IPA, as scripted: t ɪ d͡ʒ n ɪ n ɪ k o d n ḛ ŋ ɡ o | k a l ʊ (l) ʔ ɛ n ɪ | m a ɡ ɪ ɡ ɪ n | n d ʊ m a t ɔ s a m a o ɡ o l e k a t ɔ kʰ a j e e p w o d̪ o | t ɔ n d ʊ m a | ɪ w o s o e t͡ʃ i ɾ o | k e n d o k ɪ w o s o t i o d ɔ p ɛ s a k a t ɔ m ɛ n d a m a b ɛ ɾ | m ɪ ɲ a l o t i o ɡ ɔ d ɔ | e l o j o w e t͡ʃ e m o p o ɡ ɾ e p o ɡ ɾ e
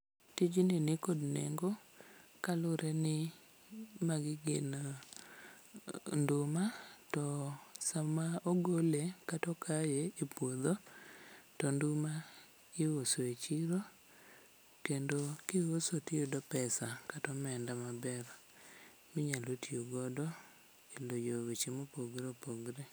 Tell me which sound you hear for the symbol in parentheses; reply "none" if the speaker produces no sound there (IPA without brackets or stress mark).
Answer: ɾ